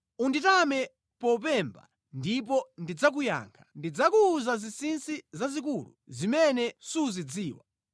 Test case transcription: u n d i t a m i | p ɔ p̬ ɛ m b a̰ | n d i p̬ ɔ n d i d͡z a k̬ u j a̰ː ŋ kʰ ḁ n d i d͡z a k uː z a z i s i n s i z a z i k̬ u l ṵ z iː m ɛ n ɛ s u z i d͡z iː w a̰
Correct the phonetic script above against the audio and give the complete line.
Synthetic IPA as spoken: u n d i t a m ɛ | p ɔ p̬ ɛ m b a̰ | n d i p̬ ɔ n d i d͡z a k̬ u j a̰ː ŋ kʰ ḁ n d i d͡z a k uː z a z i s i n s i z a z i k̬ u l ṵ z i m ɛ n ɛ s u z i d͡z iː w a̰